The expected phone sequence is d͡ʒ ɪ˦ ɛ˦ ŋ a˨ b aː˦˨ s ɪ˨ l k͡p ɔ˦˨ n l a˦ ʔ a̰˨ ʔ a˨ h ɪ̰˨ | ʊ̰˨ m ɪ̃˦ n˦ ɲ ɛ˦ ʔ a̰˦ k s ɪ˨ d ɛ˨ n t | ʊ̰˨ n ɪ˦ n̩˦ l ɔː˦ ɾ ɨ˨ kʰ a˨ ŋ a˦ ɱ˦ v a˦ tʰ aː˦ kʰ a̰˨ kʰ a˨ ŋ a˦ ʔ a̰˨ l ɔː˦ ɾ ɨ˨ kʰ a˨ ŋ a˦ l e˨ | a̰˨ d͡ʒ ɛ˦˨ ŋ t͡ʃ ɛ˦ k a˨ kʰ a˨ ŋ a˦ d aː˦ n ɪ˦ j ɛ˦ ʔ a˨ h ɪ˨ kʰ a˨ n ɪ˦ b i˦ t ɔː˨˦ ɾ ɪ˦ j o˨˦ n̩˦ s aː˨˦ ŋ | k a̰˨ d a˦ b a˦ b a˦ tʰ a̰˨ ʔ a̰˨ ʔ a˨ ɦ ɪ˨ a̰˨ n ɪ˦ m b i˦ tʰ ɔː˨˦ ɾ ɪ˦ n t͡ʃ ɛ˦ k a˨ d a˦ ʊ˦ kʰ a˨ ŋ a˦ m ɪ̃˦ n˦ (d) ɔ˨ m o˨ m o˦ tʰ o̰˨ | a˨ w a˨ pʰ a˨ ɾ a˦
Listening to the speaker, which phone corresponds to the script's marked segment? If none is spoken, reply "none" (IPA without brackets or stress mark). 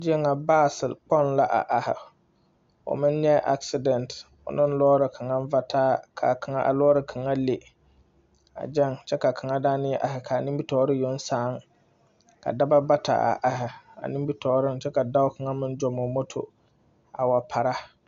d͡ʒ